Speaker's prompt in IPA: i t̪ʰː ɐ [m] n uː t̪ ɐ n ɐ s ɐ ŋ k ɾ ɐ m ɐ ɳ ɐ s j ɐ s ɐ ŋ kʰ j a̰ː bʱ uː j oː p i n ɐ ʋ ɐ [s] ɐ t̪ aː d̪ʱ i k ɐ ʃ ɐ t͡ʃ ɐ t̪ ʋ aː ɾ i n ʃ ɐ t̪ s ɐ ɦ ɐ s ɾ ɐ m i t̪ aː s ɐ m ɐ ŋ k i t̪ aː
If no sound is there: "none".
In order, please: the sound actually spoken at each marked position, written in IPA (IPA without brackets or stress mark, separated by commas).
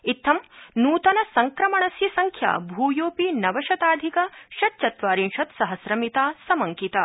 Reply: m, ʃ